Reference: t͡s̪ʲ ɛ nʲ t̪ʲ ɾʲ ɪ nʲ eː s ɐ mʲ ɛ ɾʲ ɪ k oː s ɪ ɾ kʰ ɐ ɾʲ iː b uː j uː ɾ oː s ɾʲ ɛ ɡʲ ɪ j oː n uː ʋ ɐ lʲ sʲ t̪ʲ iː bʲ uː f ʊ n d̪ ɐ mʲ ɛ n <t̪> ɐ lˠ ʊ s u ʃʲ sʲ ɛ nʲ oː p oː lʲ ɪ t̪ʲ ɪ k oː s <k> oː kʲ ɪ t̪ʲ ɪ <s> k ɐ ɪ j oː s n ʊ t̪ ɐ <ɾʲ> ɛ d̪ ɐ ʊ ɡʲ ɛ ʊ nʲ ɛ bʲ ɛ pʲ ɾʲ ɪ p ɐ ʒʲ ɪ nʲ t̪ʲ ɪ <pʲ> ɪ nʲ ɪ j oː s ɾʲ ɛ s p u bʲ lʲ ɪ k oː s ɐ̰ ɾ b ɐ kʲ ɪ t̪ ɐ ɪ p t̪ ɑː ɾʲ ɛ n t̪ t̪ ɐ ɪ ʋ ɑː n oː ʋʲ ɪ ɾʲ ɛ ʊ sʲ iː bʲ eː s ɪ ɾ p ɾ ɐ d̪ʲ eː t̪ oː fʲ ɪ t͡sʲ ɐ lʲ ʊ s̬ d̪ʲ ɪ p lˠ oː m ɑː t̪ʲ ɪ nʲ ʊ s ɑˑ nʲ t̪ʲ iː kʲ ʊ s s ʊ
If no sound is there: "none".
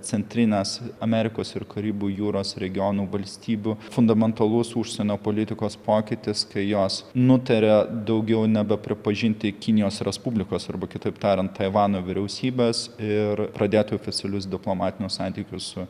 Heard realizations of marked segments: t̪, p, s, ɾʲ, kʲ

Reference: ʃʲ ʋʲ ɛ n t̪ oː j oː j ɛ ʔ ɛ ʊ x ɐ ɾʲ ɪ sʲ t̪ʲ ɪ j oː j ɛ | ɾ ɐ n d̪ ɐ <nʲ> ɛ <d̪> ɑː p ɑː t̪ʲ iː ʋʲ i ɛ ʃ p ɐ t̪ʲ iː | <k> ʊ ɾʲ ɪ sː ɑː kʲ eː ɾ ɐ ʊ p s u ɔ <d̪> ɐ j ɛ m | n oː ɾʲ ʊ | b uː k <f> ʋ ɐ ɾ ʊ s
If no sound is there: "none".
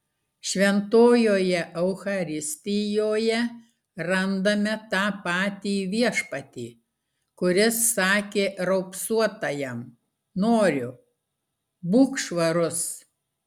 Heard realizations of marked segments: mʲ, t̪, k, t̪, ʃ

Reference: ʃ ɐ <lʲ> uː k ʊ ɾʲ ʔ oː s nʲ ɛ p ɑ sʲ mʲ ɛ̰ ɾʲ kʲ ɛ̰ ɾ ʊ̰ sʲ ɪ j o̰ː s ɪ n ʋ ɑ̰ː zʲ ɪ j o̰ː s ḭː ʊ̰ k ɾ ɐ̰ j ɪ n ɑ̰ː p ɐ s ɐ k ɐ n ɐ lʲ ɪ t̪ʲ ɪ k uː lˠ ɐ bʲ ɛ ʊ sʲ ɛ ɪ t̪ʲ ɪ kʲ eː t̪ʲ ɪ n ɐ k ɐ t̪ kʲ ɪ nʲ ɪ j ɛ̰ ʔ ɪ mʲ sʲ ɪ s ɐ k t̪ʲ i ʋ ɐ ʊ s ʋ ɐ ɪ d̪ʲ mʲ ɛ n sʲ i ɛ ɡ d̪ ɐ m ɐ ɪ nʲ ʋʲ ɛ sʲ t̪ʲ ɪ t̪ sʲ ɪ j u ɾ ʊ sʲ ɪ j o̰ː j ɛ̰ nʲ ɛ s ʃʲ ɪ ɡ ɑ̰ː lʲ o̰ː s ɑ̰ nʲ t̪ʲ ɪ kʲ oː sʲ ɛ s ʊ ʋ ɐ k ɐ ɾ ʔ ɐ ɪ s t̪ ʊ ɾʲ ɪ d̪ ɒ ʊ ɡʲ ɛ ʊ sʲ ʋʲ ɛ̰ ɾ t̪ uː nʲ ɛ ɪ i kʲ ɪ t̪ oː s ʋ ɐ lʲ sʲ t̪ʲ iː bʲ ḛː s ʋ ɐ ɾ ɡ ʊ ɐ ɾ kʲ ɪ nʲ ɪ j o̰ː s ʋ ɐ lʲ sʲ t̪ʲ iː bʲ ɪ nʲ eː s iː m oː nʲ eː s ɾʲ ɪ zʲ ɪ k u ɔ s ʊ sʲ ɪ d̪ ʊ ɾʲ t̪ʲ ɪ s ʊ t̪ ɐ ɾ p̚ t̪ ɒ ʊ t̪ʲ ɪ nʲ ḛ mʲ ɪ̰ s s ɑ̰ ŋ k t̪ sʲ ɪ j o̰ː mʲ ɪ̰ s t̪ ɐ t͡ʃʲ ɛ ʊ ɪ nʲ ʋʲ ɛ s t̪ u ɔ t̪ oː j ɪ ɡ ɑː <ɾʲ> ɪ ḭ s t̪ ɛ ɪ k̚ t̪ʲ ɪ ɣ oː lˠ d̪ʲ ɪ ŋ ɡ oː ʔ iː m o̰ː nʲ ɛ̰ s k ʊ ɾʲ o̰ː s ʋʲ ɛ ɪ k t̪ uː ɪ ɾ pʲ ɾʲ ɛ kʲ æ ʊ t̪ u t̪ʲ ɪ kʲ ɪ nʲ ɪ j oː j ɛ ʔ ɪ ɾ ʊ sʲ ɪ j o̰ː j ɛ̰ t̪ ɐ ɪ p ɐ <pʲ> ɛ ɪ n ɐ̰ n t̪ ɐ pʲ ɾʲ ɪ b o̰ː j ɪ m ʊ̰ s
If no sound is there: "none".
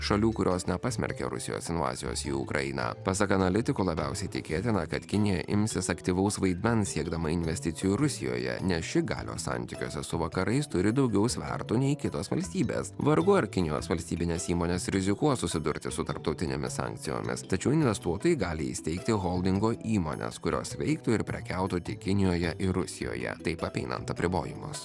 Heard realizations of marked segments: lʲ, lʲ, pʲ

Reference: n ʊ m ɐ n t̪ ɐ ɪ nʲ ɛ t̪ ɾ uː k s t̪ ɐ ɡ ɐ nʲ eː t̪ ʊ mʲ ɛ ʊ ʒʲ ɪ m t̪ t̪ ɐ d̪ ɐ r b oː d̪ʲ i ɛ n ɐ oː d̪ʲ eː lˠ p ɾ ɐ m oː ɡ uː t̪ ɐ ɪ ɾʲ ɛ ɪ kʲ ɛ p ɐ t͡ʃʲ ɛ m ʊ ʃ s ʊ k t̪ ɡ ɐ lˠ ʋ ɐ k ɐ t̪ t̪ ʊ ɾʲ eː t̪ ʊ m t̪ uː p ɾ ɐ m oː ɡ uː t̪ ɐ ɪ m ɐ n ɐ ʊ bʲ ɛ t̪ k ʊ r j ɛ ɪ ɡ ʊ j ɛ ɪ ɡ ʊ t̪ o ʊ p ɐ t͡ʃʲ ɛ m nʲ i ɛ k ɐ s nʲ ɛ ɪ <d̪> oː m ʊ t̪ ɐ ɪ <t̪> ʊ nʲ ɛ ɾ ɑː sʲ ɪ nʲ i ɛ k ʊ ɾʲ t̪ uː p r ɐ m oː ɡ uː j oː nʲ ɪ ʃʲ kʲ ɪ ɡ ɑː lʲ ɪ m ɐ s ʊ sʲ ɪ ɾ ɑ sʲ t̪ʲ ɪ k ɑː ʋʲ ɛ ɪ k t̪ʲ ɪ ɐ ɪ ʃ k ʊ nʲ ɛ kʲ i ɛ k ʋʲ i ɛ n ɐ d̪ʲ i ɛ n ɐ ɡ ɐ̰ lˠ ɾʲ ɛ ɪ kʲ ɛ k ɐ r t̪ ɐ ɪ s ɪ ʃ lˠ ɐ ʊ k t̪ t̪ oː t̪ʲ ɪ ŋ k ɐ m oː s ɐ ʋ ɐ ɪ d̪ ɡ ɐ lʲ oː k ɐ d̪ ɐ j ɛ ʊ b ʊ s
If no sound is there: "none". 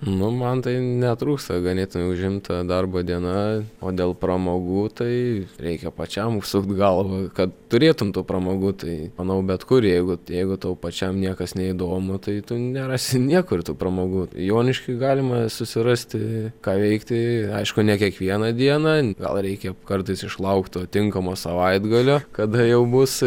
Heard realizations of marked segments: d̪, t̪

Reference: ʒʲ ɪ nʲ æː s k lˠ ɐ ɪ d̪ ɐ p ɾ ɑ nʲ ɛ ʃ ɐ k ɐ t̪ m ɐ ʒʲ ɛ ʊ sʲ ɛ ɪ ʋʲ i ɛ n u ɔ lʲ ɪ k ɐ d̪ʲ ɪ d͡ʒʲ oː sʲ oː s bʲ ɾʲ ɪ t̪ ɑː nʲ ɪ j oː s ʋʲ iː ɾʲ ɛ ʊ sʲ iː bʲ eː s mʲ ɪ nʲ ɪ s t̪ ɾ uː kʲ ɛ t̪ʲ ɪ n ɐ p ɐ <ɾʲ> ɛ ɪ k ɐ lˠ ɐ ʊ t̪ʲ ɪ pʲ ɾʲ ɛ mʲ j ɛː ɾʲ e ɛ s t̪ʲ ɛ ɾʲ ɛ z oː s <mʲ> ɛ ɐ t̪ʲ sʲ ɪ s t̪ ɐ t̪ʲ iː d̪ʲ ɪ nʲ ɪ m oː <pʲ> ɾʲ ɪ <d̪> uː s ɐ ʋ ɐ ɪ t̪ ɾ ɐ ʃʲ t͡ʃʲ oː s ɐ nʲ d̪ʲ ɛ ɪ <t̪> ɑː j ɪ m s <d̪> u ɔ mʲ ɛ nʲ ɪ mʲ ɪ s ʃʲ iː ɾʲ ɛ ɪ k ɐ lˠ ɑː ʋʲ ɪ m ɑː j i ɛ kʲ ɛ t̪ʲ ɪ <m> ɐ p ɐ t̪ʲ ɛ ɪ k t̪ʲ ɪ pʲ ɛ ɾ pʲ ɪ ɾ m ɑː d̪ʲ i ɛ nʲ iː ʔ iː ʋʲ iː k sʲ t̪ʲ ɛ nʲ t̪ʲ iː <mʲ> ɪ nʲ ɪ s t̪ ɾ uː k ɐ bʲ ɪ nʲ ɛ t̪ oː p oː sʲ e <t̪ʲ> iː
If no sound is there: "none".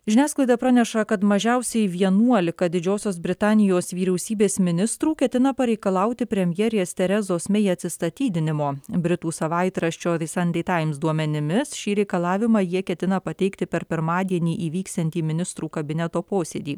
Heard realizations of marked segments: ɾʲ, mʲ, bʲ, t̪, t̪, d̪, n, mʲ, d̪ʲ

